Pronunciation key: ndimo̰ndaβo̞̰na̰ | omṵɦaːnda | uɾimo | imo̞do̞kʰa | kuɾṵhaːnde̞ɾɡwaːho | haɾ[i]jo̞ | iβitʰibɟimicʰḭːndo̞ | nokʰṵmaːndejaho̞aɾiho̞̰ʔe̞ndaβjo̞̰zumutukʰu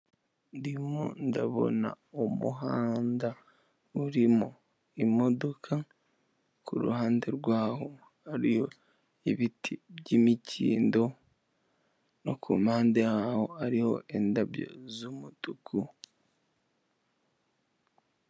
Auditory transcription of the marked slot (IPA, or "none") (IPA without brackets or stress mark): i